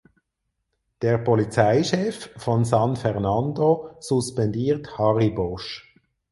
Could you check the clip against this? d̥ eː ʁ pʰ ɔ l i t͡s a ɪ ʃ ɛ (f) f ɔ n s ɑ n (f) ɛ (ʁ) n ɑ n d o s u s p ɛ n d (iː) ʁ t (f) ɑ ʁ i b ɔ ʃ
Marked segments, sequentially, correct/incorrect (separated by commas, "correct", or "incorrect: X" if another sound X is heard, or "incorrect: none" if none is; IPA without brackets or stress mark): correct, correct, correct, correct, incorrect: h